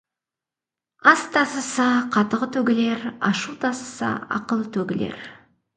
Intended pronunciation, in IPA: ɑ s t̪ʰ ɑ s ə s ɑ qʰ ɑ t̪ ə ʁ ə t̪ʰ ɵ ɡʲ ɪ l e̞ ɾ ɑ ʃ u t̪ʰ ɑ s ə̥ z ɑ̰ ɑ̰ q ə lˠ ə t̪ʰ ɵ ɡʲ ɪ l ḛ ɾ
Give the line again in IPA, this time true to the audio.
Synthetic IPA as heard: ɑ s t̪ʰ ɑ s ə s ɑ qʰ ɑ t̪ ə ʁ ə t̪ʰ ɵ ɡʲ ɪ l e̞ ɾ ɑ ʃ u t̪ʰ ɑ s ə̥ s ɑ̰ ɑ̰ q ə lˠ ə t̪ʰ ɵ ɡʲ ɪ l ḛ ɾ